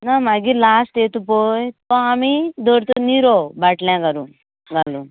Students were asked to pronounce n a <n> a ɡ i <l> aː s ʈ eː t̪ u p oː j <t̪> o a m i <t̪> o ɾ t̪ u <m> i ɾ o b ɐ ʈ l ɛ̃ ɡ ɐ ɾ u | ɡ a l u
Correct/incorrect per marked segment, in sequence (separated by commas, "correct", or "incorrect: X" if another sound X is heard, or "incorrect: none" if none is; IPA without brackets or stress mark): incorrect: m, correct, correct, incorrect: d̪, incorrect: n